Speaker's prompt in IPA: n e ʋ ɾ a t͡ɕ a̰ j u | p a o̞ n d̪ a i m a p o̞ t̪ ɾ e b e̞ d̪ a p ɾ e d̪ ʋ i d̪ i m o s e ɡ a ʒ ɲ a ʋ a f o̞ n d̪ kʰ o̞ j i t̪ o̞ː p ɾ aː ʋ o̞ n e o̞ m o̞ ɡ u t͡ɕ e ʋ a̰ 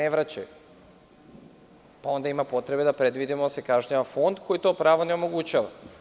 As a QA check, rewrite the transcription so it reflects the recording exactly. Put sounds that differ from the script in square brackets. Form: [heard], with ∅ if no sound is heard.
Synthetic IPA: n e ʋ ɾ a t͡ɕ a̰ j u | p a o̞ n d̪ a i m a p o̞ t̪ ɾ e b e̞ d̪ a p ɾ e d̪ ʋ i d̪ i m o s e [k] a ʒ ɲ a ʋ a f o̞ n d̪ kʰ o̞ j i t̪ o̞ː p ɾ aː ʋ o̞ n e o̞ m o̞ ɡ u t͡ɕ [a] ʋ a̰